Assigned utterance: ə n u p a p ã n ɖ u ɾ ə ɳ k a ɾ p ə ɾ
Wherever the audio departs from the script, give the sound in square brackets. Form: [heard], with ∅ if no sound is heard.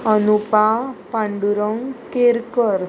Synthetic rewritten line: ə n u p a p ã [ɳ] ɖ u ɾ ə [ŋ] k [e] ɾ [k] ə ɾ